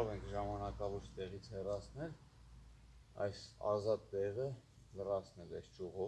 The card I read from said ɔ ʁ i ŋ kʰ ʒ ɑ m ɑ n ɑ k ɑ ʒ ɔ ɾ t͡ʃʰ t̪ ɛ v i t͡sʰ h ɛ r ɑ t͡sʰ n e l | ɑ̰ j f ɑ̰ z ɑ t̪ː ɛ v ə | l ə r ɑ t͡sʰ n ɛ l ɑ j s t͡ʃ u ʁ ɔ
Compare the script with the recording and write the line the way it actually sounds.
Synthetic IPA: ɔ ʁ ɛ ŋ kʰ ʒ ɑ m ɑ n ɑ k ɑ v ɔ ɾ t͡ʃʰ t̪ ɛ ʁ i t͡sʰ h ɛ r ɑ t͡sʰ n ɛ l | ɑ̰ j s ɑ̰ z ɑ t̪ː ɛ ʁ ə | l ə r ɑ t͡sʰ n ɛ l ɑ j s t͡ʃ u ʁ ɔ